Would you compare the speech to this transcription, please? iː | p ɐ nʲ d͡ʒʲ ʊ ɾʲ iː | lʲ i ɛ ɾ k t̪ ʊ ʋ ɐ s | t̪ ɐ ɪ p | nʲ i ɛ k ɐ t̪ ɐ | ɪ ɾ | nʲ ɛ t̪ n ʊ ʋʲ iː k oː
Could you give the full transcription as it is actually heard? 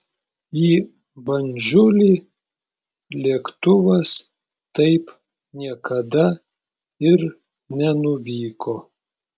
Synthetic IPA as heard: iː | b ɐ nʲ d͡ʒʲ ʊ lʲ iː | lʲ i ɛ k t̪ ʊ ʋ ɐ s | t̪ ɐ ɪ p | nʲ i ɛ k ɐ d̪ ɐ | ɪ ɾ | nʲ ɛ n ʊ ʋʲ iː k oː

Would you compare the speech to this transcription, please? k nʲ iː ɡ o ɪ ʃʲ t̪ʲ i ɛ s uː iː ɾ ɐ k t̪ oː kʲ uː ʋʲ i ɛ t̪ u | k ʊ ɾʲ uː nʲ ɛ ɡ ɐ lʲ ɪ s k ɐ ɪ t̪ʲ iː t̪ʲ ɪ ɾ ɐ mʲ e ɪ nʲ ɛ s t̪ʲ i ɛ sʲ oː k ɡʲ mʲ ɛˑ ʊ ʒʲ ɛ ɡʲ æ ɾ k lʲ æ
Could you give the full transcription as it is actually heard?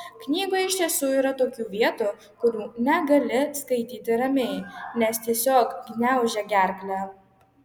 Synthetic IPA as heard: k nʲ iː ɡ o ɪ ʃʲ t̪ʲ i ɛ s uː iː ɾ ɐ t̪ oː kʲ uː ʋʲ i ɛ t̪ u | k ʊ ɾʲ uː nʲ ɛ ɡ ɐ lʲ ɪ s k ɐ ɪ t̪ʲ iː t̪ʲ ɪ ɾ ɐ mʲ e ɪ nʲ ɛ s t̪ʲ i ɛ sʲ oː k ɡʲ nʲ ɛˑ ʊ ʒʲ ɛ ɡʲ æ ɾ k lʲ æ

